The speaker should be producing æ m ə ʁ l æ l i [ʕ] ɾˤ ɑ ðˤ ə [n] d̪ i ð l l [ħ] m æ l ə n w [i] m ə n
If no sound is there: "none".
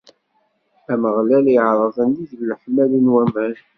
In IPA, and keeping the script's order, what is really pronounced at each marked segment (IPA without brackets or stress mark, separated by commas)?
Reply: ʕ, n, ħ, æ